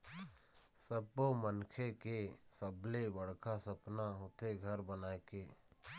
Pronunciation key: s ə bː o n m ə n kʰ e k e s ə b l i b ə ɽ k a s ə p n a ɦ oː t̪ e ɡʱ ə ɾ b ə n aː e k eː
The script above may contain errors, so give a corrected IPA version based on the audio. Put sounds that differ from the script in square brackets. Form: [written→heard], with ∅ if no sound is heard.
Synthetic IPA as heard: s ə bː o [n→∅] m ə n kʰ e k e s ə b l [i→e] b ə ɽ k a s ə p n a ɦ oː t̪ e ɡʱ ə ɾ b ə n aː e k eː